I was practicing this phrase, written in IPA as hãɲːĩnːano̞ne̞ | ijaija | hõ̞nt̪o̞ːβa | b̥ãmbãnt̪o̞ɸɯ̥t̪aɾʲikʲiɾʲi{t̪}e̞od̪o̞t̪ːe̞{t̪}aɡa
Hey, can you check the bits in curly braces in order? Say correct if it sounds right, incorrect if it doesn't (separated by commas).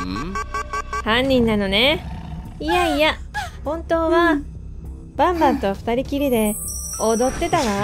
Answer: incorrect, correct